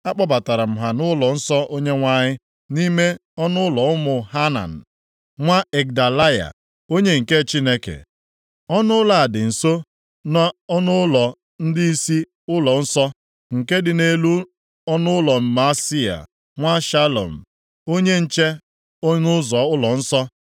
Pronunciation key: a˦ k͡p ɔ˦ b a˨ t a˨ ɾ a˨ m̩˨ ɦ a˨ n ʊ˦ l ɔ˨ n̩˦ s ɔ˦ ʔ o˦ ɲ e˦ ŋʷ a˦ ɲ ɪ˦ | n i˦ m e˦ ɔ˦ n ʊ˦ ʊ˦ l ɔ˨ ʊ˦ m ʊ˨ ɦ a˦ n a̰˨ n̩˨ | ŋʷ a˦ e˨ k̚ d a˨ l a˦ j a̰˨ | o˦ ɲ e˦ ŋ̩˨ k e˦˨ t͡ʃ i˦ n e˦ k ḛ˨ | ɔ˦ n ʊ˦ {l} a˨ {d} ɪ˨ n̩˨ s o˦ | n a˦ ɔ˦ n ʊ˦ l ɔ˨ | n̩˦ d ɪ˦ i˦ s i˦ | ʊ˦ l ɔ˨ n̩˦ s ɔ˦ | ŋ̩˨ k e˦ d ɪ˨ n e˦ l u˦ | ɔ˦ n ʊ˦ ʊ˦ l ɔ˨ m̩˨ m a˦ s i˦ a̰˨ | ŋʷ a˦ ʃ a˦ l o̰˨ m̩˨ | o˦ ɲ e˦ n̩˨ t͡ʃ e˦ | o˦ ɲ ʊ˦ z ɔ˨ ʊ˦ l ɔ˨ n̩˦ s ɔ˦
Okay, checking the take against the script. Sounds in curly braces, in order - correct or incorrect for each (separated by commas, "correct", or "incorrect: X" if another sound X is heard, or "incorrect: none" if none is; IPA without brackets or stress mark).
correct, correct